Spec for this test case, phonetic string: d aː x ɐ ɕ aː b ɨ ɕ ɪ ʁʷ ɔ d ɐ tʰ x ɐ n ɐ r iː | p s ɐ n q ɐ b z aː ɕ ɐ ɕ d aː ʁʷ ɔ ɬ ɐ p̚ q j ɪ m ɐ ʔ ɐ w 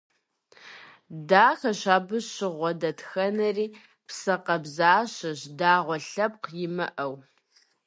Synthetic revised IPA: d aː x ɐ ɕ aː b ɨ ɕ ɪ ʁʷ ɔ d ɐ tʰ x ɐ n ɐ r iː | p s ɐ q ɐ b z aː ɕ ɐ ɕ d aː ʁʷ ɔ ɬ ɐ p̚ q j ɪ m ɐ ʔ ɐ w